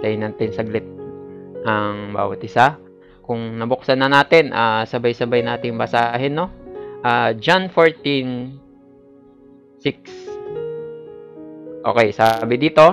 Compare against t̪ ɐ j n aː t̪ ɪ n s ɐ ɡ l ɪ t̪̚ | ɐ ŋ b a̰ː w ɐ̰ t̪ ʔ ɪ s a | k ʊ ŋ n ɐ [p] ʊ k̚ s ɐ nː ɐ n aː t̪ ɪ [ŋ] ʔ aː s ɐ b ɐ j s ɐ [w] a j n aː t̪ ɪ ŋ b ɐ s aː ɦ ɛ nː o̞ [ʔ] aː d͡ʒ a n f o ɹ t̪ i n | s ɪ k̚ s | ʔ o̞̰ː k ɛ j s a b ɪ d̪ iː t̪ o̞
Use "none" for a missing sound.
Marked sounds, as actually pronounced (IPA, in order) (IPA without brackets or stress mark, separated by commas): b, n, b, ʔ